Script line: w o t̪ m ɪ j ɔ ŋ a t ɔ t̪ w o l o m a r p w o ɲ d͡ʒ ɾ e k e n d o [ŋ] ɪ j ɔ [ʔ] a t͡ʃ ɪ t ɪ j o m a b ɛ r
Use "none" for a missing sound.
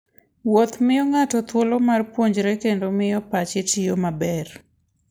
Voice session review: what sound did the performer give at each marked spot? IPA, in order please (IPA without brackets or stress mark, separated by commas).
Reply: m, p